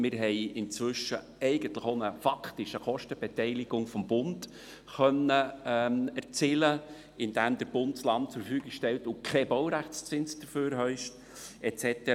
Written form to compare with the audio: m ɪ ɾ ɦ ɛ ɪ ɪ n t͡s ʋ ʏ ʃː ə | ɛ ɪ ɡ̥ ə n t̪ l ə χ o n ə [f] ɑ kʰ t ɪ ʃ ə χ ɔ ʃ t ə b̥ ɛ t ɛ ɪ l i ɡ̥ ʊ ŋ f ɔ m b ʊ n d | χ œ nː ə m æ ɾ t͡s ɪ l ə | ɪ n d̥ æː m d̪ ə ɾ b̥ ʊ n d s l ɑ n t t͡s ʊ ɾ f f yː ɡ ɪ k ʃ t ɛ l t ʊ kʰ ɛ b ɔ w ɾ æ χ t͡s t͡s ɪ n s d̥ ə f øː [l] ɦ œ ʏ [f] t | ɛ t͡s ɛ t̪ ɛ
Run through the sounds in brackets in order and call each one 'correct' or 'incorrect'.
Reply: correct, incorrect: ɾ, incorrect: ʃ

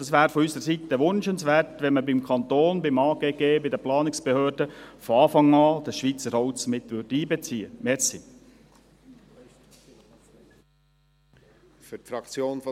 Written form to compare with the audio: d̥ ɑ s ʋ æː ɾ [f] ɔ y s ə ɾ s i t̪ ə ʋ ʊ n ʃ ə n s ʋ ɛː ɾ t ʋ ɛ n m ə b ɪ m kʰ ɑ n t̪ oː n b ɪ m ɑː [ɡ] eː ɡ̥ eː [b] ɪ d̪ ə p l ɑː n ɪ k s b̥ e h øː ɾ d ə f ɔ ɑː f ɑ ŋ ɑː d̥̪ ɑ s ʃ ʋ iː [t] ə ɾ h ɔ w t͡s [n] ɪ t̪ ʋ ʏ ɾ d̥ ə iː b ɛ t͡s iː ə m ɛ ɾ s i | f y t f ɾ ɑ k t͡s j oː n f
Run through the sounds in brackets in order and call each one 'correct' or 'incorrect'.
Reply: correct, correct, correct, incorrect: t͡s, incorrect: m

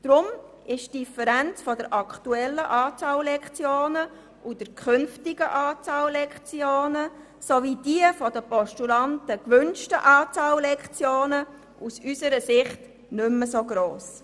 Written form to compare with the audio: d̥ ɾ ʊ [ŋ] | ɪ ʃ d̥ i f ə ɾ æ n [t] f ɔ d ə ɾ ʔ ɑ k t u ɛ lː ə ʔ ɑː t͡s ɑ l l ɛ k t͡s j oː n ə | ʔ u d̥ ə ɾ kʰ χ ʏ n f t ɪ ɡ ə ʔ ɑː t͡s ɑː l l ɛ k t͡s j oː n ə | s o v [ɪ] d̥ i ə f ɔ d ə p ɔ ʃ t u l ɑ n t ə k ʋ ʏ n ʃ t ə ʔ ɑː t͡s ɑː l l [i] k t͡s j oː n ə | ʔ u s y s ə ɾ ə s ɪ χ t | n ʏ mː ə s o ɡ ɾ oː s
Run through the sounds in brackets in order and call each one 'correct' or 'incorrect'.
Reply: incorrect: m, incorrect: t͡s, incorrect: i, incorrect: ɛ

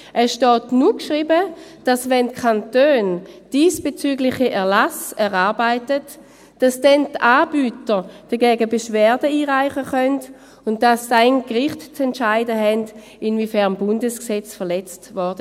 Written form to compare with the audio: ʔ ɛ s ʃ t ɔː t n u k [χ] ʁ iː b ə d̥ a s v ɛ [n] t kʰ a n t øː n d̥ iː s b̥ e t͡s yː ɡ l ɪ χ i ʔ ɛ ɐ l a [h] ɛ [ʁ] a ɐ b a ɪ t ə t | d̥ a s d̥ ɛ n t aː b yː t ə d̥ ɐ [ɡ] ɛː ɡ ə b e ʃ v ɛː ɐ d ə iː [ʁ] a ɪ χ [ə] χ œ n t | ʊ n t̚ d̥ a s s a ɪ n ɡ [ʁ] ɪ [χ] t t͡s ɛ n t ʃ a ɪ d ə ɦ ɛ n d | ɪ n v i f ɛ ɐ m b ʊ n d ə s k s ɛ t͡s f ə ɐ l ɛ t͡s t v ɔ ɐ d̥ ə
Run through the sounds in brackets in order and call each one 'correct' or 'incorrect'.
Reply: incorrect: ʃ, correct, incorrect: s, correct, correct, correct, correct, correct, correct

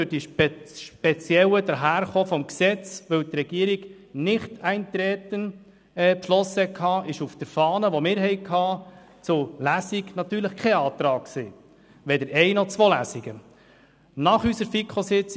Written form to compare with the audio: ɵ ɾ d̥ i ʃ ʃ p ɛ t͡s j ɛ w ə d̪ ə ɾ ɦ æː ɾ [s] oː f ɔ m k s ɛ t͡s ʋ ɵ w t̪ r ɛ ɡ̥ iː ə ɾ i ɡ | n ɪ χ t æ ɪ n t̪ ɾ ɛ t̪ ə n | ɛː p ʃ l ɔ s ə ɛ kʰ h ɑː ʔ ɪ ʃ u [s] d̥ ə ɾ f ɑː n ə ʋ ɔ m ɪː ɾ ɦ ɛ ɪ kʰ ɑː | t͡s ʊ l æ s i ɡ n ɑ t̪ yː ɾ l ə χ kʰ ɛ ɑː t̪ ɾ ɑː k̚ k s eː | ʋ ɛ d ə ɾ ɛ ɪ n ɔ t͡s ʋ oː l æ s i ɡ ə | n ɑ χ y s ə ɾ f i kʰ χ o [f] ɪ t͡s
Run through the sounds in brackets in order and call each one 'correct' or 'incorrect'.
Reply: incorrect: χ, incorrect: f, incorrect: s

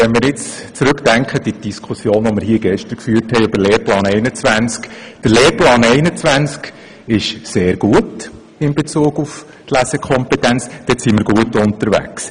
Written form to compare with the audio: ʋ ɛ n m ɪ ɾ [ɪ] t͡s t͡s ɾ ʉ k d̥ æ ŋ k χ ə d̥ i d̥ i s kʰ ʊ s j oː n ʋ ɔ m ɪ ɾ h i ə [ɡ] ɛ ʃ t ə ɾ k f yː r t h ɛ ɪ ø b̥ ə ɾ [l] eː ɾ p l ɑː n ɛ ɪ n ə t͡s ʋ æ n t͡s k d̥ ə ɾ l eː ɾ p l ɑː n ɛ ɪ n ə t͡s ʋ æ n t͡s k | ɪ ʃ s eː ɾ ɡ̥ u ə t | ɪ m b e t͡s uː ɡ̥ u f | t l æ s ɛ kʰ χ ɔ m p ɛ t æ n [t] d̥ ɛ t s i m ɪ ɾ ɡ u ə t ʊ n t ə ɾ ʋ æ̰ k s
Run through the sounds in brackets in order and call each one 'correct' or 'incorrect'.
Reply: correct, correct, correct, incorrect: t͡s

